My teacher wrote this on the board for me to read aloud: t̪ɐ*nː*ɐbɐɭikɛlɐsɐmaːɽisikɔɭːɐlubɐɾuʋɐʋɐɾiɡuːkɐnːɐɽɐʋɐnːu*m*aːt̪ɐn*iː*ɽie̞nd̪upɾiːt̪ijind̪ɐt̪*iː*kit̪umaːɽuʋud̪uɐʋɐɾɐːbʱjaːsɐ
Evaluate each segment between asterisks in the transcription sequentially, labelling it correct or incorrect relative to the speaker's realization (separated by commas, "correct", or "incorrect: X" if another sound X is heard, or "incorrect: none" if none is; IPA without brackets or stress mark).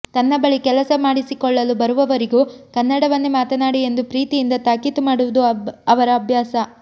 correct, correct, incorrect: aː, incorrect: aː